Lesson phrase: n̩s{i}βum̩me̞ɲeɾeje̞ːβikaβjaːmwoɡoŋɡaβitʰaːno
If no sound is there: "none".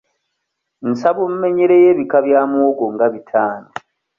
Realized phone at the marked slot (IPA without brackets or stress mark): a